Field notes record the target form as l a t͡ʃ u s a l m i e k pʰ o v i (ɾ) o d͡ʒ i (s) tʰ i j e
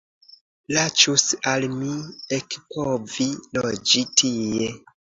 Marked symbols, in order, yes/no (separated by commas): no, no